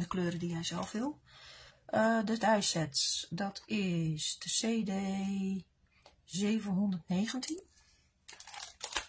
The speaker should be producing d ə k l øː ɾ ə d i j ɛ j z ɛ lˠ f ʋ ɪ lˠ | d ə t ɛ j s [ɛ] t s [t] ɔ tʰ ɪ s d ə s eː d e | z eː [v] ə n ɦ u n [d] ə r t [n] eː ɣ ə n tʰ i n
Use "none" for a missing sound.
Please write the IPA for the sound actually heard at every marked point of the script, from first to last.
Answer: ɛ, d, v, d, n

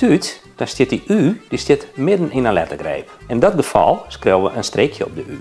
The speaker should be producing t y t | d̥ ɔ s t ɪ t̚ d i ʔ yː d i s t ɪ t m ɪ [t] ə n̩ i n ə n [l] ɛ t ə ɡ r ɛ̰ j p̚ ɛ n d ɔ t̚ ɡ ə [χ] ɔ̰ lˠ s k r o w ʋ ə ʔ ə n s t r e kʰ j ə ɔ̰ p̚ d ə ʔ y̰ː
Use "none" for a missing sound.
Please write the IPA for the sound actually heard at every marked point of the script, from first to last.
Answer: d, l, f

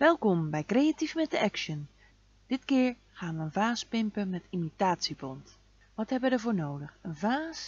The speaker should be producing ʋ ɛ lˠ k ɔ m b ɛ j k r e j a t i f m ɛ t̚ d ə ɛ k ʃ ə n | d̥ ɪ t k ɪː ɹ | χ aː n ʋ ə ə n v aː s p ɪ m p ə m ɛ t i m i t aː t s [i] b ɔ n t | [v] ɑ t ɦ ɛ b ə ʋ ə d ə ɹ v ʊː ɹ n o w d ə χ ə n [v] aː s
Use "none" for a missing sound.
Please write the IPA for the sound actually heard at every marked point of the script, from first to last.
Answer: i, ʋ, v

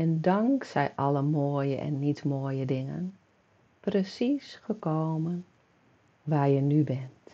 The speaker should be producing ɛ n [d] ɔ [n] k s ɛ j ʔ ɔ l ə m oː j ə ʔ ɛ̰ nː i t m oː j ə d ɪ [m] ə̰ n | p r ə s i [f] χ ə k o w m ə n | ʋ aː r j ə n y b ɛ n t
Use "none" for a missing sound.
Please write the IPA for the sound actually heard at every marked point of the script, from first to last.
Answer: d, ŋ, ŋ, s

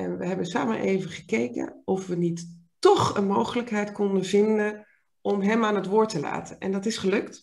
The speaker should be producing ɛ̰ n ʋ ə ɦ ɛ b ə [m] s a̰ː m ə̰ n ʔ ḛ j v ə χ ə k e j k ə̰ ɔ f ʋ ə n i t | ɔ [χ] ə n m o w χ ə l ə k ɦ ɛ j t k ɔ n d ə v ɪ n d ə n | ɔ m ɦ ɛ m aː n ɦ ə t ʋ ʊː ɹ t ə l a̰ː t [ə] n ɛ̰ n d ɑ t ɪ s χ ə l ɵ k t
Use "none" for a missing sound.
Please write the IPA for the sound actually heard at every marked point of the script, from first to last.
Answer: n, χ, ə

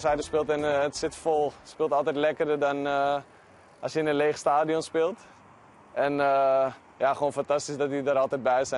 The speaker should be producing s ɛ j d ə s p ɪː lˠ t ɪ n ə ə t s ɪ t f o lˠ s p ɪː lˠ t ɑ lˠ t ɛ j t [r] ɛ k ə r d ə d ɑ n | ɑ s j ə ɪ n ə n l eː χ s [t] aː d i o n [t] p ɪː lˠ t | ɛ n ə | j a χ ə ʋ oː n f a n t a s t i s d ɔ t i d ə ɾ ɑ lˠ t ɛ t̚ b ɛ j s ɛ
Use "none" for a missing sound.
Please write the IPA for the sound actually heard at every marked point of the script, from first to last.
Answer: l, t, s

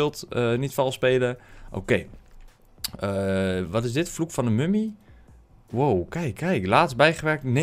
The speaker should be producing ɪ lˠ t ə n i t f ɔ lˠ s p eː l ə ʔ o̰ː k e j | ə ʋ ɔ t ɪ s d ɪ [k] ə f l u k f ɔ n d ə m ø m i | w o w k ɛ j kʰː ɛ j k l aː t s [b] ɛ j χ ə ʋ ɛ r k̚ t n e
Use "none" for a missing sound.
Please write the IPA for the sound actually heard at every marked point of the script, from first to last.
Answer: t, b

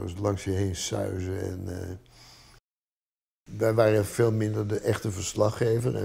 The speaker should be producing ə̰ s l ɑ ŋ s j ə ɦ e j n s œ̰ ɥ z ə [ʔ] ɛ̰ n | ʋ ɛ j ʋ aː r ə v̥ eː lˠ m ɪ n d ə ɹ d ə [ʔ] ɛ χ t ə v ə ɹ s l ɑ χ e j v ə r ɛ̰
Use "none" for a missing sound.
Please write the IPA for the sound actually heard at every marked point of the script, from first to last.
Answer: none, ʔ

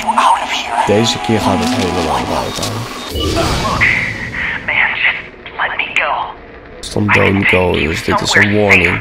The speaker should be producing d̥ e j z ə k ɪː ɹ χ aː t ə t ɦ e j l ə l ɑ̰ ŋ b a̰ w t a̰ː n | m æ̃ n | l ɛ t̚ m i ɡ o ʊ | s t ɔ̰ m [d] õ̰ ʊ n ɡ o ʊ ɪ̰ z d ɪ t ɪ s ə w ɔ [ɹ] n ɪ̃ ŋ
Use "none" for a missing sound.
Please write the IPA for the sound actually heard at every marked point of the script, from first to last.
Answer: d, ɹ

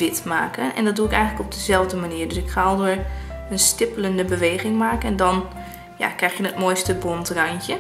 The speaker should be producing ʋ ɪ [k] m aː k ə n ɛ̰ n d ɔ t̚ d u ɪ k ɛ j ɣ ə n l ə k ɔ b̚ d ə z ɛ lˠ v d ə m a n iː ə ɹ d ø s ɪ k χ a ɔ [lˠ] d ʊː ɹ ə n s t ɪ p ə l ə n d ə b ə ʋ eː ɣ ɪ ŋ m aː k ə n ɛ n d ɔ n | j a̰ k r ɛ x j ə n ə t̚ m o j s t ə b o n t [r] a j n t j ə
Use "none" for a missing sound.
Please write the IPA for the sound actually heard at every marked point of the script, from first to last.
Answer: t, lˠ, r

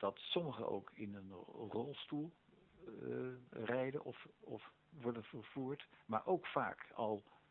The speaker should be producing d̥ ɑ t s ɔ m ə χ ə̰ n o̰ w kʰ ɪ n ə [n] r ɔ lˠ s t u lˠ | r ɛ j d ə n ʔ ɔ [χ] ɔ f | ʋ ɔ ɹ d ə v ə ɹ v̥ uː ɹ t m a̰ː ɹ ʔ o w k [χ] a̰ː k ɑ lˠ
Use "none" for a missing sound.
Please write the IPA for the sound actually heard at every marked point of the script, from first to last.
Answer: n, f, f

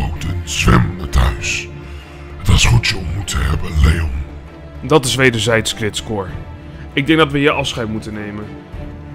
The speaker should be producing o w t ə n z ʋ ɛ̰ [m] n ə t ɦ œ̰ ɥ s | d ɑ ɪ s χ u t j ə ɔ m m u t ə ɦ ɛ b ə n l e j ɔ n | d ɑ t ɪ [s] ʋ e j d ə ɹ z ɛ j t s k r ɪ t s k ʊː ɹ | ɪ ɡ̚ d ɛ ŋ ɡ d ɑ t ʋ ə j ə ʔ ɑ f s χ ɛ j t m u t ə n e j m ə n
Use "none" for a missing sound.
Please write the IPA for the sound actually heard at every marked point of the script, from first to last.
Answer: m, s

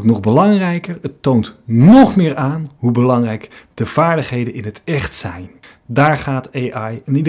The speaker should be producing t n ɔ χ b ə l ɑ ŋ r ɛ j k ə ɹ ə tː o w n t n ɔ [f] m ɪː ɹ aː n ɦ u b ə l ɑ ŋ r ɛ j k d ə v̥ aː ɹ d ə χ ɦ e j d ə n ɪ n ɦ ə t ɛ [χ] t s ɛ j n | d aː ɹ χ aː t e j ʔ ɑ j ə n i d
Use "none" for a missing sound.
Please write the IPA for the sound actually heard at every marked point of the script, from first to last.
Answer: χ, χ

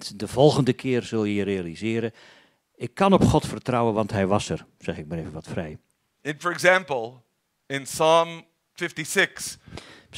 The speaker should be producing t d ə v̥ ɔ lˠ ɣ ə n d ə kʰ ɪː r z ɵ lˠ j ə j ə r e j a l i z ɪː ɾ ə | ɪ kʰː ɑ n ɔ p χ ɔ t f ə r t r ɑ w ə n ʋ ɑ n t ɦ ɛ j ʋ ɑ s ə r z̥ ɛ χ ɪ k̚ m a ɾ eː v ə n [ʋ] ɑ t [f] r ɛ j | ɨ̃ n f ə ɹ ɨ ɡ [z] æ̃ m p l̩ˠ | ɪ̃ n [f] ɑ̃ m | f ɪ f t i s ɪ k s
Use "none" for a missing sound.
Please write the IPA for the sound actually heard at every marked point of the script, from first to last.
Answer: ʋ, f, z, s

